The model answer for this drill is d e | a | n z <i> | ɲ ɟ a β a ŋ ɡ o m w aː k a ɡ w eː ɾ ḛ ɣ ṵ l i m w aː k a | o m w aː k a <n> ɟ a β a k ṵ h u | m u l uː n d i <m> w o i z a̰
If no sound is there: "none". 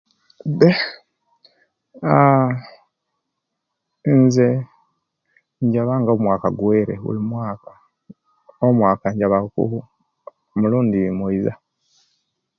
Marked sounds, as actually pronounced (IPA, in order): e, ɲ, m

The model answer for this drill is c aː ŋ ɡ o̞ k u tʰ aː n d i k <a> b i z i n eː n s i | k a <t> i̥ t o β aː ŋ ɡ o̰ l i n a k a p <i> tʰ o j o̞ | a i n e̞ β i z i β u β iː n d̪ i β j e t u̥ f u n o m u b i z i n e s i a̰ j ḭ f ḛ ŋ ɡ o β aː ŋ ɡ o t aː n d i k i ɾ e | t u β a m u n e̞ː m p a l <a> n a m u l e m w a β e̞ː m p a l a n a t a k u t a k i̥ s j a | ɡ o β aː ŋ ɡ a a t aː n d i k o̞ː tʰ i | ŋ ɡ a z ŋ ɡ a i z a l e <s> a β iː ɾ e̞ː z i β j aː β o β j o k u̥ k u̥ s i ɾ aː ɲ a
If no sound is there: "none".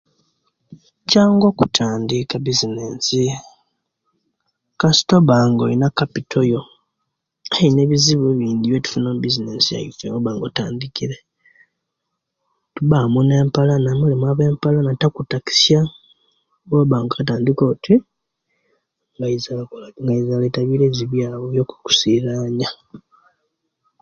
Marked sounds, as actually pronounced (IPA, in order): a, s, i, a, t

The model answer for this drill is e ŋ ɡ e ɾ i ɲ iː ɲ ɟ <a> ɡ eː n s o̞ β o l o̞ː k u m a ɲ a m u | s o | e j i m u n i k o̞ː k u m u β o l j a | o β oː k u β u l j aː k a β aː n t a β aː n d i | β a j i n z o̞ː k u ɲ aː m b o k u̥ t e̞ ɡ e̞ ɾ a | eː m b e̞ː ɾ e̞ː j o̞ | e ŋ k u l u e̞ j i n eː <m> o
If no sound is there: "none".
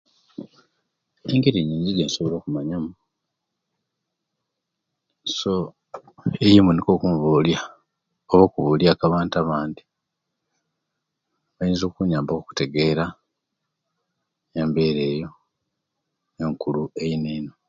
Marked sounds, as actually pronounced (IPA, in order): i, n

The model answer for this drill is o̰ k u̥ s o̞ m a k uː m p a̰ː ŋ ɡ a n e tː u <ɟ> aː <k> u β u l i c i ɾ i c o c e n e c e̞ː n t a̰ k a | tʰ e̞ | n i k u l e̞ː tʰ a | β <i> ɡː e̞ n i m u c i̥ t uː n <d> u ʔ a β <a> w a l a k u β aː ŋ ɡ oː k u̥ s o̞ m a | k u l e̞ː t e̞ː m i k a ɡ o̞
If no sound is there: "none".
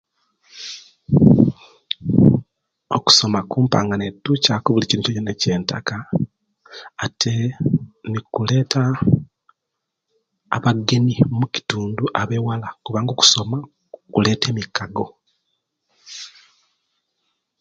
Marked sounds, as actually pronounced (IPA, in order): c, k, a, d, e

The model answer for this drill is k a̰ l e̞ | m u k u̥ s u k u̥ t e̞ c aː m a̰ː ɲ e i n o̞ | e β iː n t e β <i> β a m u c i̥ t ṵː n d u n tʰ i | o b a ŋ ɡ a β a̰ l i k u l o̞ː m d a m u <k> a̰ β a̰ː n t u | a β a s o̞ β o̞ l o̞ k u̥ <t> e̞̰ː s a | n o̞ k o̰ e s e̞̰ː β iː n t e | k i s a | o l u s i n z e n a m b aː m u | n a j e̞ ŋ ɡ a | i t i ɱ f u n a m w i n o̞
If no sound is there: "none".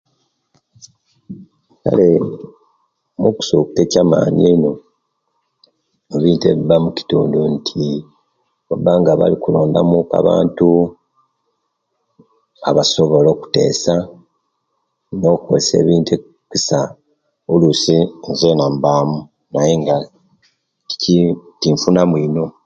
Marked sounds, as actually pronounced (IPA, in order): i, k, t

